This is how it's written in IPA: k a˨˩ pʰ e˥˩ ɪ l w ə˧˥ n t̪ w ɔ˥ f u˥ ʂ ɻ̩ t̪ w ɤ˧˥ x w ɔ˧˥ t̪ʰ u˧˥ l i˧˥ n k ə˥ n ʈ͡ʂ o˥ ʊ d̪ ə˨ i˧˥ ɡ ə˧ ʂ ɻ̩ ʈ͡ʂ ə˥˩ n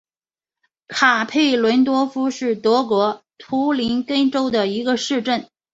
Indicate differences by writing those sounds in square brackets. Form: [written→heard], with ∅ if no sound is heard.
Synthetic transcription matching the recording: [k→kʰ] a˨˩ pʰ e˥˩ ɪ l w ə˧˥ n t̪ w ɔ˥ f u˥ ʂ ɻ̩ t̪ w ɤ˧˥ [x→k] w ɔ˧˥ t̪ʰ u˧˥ l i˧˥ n k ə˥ n ʈ͡ʂ o˥ ʊ d̪ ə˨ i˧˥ ɡ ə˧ ʂ ɻ̩ ʈ͡ʂ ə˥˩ n